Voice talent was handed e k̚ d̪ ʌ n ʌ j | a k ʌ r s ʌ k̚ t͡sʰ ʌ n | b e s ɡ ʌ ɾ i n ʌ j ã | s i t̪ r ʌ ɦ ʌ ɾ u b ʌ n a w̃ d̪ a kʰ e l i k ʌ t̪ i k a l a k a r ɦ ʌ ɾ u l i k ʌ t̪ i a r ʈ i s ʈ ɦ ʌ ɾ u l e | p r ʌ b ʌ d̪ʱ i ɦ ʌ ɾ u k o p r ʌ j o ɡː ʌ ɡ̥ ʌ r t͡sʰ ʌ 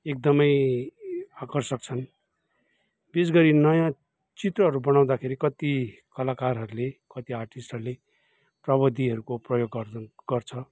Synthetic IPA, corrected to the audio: e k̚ d̪ ʌ m ʌ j | a k ʌ r s ʌ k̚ t͡sʰ ʌ n | b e s ɡ ʌ ɾ i n ʌ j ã | t͡s i t̪ r ʌ ɦ ʌ ɾ u b ʌ n a w̃ d̪ a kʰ e ɾ i k ʌ t̪ i k ʌ l a k a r ɦ ʌ ɾ u l e k ʌ t̪ i a r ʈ i s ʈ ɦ ʌ ɾ u l e | p r ʌ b ʌ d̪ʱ i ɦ ʌ ɾ u k o p r ʌ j o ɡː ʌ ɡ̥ ʌ r t͡sʰ ʌ